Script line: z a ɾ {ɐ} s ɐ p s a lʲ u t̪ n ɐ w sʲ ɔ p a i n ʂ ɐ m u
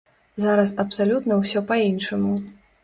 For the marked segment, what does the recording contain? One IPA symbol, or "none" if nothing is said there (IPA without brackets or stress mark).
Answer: ɐ